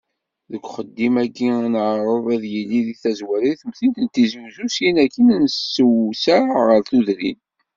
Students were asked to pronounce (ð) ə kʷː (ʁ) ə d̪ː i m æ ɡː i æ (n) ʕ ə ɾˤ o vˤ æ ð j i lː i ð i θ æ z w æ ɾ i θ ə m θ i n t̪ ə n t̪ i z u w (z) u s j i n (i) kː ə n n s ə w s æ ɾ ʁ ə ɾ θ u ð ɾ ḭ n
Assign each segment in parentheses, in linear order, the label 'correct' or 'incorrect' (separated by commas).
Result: correct, incorrect, correct, correct, incorrect